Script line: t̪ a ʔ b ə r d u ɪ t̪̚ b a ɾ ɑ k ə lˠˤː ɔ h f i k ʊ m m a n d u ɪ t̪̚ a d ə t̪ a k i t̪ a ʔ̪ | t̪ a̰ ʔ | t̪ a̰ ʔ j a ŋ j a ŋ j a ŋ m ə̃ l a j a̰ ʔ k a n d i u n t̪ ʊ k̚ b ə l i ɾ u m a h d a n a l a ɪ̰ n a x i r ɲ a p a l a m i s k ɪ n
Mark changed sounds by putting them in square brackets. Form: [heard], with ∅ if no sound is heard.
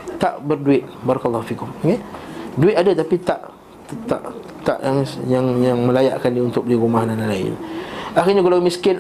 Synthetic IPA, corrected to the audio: t̪ a ʔ b ə r d u ɪ t̪̚ b a ɾ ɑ k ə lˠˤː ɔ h f i k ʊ m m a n d u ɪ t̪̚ a d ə t̪ a [p] i t̪ a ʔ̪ | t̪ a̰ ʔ | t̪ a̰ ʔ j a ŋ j a ŋ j a ŋ m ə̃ l a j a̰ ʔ k a n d i u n t̪ ʊ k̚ b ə l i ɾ u m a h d a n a l a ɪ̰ n a x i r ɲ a [k] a l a m i s k ɪ n